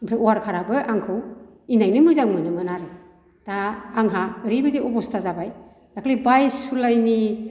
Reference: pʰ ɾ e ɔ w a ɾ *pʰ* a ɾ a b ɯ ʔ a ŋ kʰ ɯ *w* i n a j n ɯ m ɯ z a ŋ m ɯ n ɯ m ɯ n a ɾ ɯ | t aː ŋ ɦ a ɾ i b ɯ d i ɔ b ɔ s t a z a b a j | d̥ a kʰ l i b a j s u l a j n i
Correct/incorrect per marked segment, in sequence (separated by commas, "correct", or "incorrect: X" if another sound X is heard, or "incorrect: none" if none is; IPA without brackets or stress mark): incorrect: kʰ, correct